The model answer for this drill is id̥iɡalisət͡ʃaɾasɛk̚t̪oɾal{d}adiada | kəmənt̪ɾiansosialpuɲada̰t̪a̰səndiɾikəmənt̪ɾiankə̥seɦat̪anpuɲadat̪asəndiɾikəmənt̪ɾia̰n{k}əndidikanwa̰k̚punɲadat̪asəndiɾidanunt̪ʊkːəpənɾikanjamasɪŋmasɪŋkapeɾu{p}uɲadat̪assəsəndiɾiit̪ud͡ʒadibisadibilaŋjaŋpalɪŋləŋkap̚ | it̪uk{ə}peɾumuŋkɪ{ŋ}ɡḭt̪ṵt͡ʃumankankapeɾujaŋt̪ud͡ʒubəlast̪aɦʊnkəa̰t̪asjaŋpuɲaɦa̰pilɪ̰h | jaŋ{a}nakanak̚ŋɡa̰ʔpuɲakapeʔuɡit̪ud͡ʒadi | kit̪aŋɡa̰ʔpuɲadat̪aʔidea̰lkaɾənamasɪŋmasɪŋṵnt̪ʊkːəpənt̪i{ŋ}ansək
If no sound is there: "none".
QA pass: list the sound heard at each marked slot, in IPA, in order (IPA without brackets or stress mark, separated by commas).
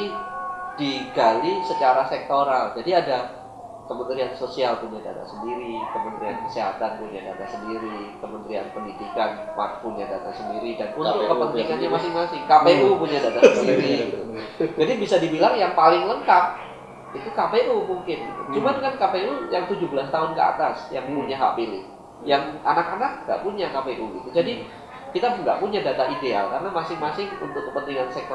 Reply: d͡ʒ, p, p, a, n, a, ŋ